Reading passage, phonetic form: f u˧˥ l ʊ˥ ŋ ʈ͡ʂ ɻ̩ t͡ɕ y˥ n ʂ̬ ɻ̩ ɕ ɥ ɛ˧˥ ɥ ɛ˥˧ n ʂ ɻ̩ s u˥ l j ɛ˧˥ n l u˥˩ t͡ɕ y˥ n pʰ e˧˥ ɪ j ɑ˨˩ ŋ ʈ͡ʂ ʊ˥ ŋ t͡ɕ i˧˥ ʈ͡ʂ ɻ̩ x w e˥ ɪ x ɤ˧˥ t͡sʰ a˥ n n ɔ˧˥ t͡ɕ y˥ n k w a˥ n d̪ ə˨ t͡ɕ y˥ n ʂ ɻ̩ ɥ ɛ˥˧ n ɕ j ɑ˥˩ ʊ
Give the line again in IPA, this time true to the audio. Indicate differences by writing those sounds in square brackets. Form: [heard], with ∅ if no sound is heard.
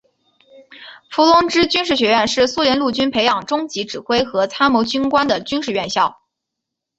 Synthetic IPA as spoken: f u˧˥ l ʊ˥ ŋ ʈ͡ʂ ɻ̩ t͡ɕ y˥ n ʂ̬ ɻ̩ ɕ ɥ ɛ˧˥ ɥ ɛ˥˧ n ʂ ɻ̩ s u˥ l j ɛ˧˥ n l u˥˩ t͡ɕ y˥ n pʰ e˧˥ ɪ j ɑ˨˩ ŋ ʈ͡ʂ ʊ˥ ŋ t͡ɕ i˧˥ ʈ͡ʂ ɻ̩ x w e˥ ɪ x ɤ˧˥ t͡sʰ a˥ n [m] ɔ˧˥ t͡ɕ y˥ n k w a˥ n d̪ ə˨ t͡ɕ y˥ n ʂ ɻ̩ ɥ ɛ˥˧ n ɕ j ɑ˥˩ ʊ